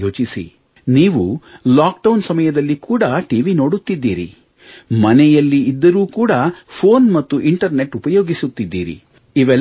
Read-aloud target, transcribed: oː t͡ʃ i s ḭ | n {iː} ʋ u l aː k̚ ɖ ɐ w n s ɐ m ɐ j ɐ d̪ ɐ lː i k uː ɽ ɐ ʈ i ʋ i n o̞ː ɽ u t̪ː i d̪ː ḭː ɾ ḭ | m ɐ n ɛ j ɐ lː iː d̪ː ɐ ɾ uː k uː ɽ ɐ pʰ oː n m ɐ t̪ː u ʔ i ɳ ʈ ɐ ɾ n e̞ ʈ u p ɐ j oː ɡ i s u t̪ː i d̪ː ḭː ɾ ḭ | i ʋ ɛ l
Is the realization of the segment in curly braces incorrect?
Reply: no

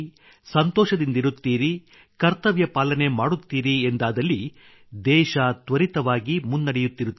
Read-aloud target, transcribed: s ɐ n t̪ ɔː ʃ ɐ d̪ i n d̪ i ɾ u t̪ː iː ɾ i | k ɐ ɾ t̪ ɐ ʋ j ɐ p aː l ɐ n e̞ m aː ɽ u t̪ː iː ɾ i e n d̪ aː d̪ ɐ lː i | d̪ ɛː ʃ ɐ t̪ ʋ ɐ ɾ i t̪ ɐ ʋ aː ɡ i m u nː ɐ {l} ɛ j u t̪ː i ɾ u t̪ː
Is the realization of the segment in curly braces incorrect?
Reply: yes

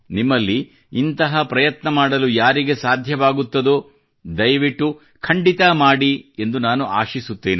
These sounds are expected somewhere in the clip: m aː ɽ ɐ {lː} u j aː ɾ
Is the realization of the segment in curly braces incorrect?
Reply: yes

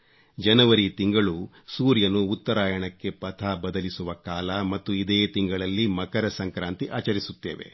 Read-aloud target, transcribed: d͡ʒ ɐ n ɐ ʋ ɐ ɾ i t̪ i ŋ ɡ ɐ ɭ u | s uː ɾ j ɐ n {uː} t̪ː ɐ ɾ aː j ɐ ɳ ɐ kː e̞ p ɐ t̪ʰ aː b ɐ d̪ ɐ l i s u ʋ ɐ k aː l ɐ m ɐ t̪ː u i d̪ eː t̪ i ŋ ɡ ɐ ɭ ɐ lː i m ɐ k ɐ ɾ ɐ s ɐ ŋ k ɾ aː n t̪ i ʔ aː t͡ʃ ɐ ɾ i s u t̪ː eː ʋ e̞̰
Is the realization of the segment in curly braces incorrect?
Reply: no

